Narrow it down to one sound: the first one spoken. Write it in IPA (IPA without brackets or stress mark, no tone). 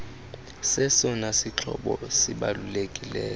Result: s